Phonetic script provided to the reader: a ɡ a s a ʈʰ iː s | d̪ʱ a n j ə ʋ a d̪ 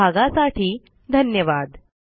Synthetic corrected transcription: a ɡ a s a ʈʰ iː | d̪ʱ ə n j ə ʋ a d̪